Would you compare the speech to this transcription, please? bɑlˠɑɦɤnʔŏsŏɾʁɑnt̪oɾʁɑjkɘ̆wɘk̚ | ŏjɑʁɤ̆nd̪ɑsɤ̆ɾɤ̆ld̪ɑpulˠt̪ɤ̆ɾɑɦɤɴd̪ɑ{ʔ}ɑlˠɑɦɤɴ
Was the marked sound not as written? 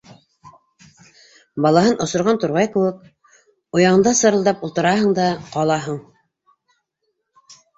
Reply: yes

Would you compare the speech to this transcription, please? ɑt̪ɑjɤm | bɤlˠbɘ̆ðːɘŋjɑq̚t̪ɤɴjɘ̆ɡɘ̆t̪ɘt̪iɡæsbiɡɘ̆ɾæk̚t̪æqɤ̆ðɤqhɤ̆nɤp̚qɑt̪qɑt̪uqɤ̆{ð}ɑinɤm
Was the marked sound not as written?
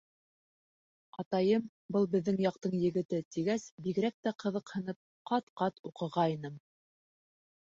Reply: yes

